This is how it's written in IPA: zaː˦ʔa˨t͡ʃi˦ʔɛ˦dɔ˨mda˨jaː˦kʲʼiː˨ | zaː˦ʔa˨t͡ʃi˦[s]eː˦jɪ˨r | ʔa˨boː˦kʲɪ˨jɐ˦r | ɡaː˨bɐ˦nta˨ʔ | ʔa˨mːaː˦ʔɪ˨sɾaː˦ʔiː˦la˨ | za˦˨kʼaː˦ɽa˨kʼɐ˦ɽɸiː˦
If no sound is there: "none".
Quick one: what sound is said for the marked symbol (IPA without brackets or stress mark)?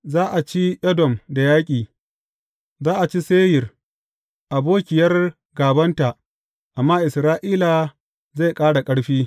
s